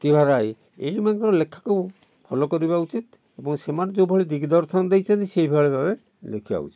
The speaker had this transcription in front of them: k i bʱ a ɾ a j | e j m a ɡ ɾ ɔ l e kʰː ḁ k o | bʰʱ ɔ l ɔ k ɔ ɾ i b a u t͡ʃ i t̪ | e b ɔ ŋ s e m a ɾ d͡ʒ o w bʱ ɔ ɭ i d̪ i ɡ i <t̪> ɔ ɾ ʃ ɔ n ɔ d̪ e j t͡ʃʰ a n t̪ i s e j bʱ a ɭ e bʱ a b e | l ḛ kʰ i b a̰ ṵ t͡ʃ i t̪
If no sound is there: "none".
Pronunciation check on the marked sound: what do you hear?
d̪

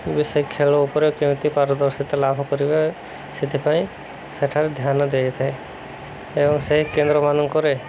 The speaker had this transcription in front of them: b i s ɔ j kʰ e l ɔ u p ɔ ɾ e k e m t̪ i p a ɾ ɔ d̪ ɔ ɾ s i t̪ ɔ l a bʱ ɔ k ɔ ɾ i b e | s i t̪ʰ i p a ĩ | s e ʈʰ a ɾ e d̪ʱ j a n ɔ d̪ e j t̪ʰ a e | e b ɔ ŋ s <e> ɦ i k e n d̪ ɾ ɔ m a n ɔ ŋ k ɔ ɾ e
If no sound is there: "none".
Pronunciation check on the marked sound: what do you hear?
e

